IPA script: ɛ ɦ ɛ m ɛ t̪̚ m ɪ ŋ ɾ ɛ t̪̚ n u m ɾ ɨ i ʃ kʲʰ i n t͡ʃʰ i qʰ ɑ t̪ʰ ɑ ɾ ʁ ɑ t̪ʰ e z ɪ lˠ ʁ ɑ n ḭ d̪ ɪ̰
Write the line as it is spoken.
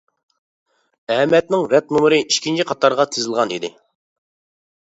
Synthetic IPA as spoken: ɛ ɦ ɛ m ɛ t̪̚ n ɪ ŋ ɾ ɛ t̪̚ n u m ɾ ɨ i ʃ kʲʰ i n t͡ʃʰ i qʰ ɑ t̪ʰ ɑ ɾ ʁ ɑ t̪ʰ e z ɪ lˠ ʁ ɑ n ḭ d̪ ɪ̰